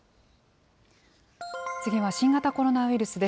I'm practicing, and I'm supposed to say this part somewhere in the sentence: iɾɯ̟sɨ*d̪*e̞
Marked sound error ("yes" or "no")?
no